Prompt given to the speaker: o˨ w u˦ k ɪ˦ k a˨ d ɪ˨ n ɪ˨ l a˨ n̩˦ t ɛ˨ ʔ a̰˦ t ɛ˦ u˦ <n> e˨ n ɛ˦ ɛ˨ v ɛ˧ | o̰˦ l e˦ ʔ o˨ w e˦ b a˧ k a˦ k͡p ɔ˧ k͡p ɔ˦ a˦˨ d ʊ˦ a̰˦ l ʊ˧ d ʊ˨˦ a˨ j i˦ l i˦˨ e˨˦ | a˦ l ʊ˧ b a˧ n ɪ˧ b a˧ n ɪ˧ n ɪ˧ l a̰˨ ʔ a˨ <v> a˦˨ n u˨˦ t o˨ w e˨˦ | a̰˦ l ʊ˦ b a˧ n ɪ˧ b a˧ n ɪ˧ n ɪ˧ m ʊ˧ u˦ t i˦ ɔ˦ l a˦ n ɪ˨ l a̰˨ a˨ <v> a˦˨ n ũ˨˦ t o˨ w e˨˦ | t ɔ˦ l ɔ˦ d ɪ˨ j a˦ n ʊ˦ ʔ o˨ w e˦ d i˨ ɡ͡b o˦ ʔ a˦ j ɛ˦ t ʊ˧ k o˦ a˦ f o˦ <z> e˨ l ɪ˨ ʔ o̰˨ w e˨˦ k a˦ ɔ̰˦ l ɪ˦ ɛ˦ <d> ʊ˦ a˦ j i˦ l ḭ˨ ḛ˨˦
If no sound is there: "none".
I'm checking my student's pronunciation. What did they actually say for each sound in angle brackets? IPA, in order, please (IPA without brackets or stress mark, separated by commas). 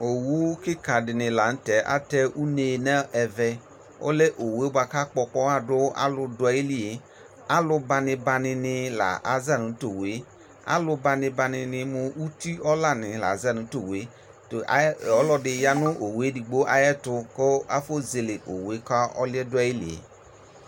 n, z, z, z, d